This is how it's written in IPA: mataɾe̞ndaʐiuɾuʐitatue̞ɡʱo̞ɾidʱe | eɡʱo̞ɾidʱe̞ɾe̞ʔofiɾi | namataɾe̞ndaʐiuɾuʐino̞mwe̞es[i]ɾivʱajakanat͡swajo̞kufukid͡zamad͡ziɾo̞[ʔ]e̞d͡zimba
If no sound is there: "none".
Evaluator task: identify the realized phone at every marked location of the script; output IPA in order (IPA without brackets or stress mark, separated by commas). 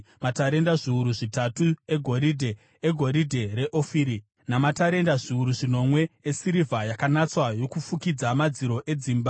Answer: i, ʔ